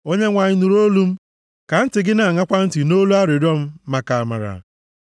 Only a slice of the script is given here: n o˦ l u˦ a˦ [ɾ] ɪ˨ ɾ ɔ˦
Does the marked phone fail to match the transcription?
no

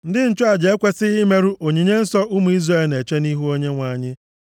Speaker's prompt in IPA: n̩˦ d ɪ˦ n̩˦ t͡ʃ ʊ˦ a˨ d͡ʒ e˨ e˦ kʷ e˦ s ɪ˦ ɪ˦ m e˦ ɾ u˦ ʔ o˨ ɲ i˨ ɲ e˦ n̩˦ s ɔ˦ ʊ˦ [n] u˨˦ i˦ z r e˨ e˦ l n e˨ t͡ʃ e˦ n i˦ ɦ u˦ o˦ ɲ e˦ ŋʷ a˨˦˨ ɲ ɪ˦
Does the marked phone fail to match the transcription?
yes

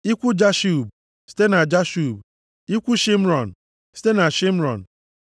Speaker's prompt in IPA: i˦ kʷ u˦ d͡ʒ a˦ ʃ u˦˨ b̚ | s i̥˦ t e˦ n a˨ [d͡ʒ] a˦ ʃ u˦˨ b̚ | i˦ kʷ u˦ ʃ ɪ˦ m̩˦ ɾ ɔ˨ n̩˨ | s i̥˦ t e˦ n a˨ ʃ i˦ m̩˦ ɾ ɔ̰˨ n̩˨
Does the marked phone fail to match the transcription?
no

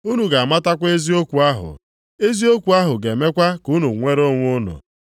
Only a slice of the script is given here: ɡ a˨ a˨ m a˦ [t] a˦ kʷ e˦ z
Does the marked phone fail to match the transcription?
no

